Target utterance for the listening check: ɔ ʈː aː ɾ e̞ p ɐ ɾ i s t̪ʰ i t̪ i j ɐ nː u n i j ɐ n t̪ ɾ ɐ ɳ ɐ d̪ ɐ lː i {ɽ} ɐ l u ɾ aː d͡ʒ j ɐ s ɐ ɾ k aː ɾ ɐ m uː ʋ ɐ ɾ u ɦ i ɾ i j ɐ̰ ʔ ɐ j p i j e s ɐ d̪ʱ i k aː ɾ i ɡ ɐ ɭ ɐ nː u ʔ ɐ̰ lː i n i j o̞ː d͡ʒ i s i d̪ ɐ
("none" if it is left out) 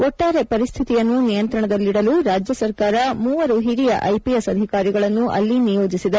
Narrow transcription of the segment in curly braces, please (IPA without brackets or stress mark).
ɽ